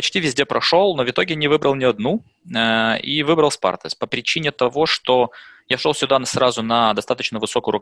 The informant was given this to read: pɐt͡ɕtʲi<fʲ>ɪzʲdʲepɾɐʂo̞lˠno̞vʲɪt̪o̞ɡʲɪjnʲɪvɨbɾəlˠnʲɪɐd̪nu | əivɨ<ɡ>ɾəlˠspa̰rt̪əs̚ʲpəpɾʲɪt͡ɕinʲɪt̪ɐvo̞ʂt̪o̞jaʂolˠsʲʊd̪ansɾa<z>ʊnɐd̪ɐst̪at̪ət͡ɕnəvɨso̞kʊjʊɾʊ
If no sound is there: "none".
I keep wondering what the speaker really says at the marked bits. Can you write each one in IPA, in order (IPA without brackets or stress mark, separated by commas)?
vʲ, b, z